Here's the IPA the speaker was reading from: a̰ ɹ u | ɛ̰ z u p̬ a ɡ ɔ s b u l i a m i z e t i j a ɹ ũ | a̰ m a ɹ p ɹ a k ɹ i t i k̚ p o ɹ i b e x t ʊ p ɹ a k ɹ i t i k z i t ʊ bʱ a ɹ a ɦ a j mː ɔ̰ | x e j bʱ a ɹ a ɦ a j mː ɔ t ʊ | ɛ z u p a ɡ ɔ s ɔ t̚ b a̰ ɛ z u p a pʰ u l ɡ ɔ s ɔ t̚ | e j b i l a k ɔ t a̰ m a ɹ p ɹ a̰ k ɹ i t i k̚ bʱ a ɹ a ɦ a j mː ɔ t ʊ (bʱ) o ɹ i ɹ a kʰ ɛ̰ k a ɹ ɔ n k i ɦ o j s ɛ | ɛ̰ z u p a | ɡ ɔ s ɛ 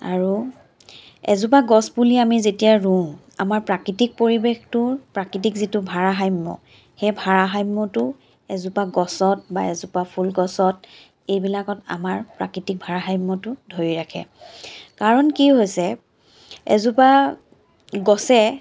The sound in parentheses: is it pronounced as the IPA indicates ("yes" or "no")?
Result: no